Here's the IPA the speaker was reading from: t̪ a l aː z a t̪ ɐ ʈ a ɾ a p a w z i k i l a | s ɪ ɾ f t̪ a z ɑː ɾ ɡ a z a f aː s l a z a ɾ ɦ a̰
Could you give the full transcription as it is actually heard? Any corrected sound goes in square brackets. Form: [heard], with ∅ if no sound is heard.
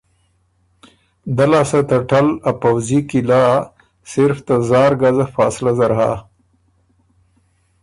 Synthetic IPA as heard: [d̪] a l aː [s] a t̪ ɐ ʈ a [l] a p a w z i k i l a | s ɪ ɾ f t̪ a z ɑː ɾ ɡ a z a f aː s l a z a ɾ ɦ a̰

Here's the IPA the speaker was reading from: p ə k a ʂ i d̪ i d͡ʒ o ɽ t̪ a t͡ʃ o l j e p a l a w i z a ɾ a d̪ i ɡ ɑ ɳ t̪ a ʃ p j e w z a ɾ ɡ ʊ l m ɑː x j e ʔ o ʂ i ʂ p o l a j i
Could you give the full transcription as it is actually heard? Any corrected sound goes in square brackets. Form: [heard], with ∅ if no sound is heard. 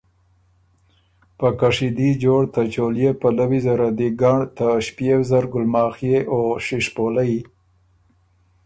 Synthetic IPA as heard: p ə k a ʂ i d̪ i d͡ʒ o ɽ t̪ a t͡ʃ o l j e p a l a w i z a ɾ a d̪ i ɡ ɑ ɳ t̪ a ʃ p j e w z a ɾ ɡ ʊ l m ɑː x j e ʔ o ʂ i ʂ p o l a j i

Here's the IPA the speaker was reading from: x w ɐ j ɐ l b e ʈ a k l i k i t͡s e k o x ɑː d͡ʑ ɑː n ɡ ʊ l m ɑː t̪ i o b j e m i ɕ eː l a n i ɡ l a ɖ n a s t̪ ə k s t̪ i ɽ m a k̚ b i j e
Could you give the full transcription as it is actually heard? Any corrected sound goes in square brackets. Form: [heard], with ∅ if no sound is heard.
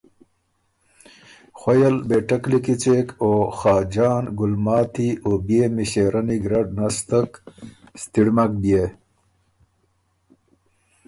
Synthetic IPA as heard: x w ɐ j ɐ l b e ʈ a k l i k i t͡s e k o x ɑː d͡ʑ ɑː n ɡ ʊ l m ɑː t̪ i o b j e m i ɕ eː [ɾ] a n i ɡ [ɾ] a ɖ n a s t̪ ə k s t̪ i ɽ m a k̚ b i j e

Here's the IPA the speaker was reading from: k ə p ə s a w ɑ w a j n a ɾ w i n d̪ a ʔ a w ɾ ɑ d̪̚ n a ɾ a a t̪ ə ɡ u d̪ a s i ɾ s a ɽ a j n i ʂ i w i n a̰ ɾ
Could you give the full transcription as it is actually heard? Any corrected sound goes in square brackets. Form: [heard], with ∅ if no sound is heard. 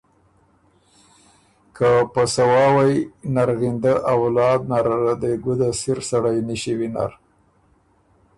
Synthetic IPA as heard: k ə p ə s a w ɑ w a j n a ɾ [ɣ] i n d̪ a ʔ a w [l] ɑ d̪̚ n a ɾ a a [d̪] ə ɡ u d̪ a s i ɾ s a ɽ a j n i [ʃ] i w i n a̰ ɾ

